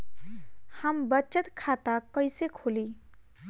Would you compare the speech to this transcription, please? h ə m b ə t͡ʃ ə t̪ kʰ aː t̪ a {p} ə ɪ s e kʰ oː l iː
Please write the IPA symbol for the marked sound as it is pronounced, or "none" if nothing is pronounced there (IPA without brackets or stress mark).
k